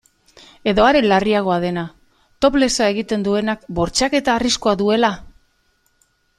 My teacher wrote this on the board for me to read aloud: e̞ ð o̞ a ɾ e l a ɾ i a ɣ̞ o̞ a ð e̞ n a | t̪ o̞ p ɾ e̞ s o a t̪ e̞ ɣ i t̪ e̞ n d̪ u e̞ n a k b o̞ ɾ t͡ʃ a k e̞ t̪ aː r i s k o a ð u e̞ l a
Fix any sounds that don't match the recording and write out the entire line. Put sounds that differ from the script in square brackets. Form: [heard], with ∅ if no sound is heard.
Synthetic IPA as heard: e̞ ð o̞ a ɾ e l a [r] i a ɣ̞ o̞ a ð e̞ n a | t̪ o̞ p [l] e̞ s o a [∅] e̞ ɣ i t̪ e̞ n d̪ u e̞ n a k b o̞ ɾ t͡ʃ a k e̞ t̪ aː r i s k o a ð u e̞ l a